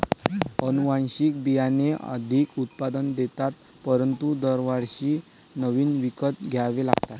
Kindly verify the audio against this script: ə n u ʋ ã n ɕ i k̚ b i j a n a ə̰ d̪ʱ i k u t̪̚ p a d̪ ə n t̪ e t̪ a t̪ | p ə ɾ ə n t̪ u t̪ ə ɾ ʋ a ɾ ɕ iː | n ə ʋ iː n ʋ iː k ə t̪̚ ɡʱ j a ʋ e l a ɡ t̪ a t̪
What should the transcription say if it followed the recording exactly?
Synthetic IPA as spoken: ə n u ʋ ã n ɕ i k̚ b i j a n e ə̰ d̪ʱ i k u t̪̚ p a d̪ ə n d̪ e t̪ a t̪ | p ə ɾ ə n t̪ u d̪ ə ɾ ʋ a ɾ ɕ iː | n ə ʋ iː n ʋ i k ə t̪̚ ɡʱ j a ʋ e l a ɡ t̪ a t̪